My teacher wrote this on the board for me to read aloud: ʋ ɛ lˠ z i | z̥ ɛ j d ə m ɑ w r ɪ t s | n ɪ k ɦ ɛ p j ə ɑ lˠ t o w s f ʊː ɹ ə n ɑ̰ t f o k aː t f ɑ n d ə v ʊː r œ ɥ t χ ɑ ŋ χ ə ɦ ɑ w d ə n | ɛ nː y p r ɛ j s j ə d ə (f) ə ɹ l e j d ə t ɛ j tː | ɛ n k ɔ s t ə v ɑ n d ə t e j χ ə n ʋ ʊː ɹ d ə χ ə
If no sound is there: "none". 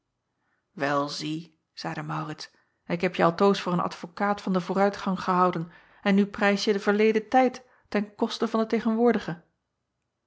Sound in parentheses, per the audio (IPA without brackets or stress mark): v